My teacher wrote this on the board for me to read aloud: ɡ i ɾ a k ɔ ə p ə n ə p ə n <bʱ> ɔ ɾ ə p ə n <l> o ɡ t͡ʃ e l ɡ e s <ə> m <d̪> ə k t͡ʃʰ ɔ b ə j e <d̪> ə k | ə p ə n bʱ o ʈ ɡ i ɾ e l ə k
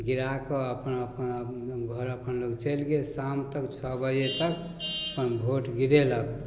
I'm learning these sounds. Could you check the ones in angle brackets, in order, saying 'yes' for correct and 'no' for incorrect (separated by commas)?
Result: no, yes, no, no, no